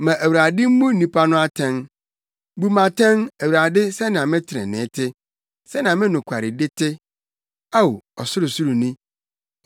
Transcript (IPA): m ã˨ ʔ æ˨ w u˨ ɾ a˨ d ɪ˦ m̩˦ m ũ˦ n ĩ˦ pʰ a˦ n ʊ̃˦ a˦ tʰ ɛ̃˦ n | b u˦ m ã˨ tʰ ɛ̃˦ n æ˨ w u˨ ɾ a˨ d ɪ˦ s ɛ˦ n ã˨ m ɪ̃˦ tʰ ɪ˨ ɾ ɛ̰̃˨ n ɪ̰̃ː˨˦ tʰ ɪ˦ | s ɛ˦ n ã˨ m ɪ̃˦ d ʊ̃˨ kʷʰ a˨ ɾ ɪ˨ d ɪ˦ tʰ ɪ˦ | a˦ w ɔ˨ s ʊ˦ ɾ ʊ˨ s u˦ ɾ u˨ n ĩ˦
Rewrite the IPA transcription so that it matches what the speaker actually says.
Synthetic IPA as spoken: m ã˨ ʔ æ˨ w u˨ ɾ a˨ d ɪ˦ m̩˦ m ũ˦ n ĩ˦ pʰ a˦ n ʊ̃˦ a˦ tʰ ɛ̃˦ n | b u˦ m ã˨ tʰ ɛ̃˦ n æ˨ w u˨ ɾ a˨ d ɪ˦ s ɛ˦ n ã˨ m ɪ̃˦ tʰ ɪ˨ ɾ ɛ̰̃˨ n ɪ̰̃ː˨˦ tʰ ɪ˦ | s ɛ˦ n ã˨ m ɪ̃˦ n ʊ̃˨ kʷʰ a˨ ɾ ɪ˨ d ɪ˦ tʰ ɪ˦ | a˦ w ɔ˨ s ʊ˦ ɾ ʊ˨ s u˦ ɾ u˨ n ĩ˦